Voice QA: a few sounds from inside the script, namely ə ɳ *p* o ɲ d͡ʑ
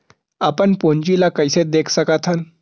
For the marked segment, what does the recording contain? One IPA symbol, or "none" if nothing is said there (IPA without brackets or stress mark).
p